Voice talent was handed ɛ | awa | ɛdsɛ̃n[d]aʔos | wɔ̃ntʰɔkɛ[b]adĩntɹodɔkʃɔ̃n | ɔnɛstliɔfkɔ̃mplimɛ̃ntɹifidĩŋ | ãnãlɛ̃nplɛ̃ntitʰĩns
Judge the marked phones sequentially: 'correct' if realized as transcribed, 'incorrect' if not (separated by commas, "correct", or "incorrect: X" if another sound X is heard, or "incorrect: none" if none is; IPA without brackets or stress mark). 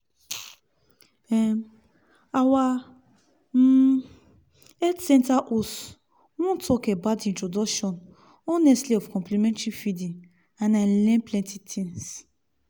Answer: incorrect: t, correct